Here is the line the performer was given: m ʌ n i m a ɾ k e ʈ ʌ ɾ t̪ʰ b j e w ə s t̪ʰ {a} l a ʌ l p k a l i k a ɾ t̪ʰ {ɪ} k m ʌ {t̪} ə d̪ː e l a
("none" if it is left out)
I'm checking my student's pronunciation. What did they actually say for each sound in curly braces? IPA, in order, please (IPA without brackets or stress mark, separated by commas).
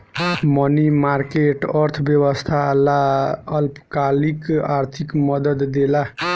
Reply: a, i, d̪